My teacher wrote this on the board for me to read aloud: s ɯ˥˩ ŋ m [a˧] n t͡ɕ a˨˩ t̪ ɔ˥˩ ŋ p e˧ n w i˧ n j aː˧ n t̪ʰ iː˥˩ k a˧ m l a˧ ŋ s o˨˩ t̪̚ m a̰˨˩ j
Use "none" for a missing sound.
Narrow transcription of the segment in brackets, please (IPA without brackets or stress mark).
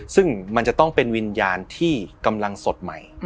a˧